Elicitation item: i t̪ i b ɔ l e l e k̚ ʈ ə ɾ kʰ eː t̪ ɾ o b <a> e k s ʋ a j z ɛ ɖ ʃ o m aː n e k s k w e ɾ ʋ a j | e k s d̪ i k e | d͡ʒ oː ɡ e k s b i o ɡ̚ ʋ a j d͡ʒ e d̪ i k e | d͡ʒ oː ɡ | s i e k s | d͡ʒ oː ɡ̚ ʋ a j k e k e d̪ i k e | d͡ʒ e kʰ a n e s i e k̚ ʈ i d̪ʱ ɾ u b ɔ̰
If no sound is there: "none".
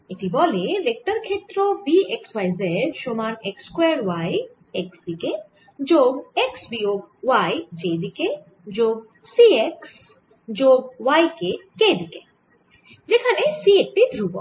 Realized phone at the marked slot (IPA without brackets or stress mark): i